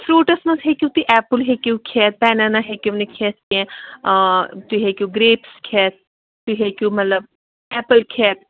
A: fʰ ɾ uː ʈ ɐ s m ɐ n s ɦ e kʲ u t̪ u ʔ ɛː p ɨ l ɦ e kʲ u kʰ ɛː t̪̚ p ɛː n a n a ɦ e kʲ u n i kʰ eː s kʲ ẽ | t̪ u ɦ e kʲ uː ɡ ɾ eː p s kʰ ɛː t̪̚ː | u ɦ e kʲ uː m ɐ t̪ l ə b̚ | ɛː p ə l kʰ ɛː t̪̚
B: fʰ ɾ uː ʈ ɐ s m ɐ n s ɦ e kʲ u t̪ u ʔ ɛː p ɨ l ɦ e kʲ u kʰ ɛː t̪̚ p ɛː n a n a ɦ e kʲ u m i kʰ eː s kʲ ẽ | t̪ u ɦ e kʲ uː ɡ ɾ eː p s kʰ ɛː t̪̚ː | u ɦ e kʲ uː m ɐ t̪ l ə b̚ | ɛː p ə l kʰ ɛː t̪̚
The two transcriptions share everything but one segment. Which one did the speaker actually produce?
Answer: A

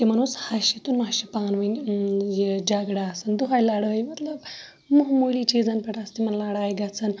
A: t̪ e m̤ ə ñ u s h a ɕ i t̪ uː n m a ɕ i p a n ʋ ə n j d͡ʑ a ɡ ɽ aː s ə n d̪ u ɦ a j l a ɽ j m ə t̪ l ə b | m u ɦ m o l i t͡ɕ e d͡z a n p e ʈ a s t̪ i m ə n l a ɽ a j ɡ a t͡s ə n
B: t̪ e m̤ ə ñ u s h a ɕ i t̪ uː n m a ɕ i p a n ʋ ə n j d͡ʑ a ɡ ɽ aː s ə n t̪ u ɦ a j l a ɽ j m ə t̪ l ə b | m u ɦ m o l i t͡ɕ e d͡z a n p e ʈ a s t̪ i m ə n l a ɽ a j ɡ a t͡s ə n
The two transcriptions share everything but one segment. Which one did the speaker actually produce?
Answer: A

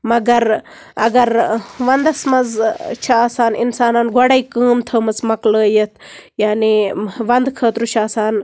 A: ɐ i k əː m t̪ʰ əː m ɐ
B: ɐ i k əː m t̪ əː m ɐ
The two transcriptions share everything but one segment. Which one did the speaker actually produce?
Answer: A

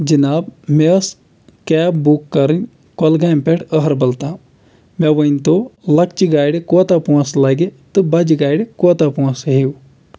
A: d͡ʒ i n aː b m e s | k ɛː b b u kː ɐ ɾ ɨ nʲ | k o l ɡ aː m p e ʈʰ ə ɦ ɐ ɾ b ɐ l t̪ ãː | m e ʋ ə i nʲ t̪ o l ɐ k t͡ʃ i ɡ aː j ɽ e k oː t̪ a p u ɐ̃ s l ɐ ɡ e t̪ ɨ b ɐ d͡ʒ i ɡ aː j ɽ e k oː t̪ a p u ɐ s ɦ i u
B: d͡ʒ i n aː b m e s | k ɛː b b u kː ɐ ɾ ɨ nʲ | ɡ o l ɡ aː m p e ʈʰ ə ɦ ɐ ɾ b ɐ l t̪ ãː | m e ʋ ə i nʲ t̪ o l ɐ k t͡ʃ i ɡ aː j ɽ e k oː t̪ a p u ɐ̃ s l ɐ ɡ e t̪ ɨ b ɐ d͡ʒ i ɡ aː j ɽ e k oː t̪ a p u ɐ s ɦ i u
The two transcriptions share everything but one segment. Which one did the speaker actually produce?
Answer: A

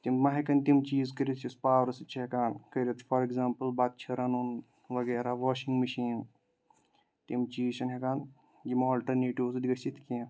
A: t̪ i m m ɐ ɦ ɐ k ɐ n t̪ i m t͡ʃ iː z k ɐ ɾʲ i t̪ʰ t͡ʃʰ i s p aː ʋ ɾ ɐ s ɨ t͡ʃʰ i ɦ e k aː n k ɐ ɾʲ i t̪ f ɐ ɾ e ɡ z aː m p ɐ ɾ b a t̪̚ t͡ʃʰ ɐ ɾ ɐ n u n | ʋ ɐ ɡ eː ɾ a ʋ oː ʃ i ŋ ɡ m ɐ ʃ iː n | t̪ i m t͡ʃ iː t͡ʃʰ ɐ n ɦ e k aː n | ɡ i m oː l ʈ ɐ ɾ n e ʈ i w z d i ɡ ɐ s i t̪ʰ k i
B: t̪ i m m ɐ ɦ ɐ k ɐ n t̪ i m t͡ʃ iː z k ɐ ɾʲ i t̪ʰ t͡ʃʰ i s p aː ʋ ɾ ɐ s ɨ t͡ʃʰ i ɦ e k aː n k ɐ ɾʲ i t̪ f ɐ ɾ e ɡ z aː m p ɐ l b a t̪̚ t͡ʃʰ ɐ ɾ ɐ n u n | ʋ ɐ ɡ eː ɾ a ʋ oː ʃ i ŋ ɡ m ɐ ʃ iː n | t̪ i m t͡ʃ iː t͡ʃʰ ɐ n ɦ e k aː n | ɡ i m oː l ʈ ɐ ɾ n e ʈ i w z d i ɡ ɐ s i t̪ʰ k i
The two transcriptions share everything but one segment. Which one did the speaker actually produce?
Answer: B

